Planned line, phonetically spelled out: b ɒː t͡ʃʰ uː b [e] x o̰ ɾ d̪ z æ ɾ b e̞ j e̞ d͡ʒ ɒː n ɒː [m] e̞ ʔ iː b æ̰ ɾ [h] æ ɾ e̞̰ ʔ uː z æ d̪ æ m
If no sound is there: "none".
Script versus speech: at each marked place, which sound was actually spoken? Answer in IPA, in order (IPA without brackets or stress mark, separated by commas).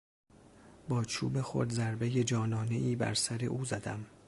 e, n, s